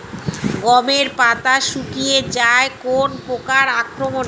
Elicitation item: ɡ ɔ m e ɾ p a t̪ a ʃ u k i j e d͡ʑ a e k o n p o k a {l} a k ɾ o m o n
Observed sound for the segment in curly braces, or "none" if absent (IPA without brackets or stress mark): ɾ